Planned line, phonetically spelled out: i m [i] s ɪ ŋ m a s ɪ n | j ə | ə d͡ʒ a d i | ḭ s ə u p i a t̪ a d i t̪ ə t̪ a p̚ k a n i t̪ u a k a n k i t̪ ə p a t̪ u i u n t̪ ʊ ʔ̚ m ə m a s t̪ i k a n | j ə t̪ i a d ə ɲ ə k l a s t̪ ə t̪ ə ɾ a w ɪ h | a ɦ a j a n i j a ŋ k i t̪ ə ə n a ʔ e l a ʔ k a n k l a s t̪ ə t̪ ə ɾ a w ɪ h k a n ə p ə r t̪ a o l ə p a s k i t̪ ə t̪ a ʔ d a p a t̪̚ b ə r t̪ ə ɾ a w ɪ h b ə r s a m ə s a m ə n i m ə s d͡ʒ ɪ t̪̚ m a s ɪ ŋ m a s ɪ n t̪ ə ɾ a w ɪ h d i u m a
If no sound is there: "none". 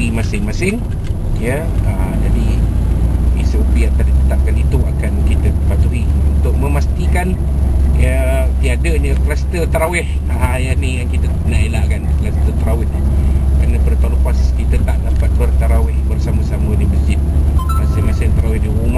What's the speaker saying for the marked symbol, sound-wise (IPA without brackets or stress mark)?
a